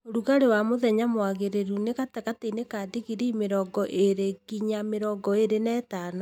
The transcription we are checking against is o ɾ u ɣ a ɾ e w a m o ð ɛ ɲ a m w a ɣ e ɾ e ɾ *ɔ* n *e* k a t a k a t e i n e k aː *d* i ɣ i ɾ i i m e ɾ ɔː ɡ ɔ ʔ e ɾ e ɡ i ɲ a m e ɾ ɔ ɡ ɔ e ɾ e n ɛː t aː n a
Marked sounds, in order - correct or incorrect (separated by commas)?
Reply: incorrect, correct, correct